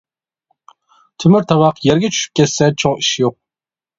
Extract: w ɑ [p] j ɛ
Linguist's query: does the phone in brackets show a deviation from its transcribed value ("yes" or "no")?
yes